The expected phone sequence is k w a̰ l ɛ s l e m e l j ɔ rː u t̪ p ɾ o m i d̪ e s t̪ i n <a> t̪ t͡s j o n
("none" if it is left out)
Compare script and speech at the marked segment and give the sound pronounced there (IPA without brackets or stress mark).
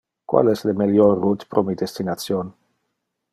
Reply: a